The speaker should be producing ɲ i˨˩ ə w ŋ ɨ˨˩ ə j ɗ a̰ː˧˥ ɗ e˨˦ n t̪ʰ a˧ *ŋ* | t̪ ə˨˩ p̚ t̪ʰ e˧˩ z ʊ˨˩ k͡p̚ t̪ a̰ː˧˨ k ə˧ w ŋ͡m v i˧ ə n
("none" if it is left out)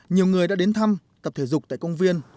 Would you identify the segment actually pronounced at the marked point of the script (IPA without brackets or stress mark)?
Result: m